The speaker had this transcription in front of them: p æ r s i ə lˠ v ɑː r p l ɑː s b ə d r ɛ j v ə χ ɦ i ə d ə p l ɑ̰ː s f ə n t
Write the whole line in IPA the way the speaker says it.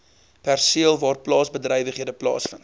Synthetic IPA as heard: p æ r s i ə lˠ v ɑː r p l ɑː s b ə d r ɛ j v ə χ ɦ i ə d ə p l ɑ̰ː s f ə n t